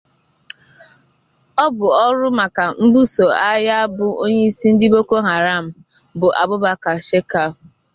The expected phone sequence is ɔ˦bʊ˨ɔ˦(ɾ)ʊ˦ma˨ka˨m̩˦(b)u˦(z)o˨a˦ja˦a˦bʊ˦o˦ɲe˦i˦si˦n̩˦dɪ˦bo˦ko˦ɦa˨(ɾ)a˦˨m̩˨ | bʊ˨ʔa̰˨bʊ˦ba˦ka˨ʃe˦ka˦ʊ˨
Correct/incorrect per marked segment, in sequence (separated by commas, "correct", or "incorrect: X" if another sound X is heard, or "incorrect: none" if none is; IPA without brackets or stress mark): correct, correct, incorrect: s, correct